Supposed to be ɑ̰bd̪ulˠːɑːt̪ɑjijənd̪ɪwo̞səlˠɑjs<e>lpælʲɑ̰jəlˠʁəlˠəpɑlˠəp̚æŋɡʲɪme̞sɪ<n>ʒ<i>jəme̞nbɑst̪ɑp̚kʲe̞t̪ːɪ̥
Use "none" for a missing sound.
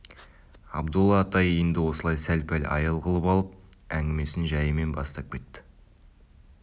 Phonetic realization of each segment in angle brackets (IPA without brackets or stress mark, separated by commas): æ, n, æ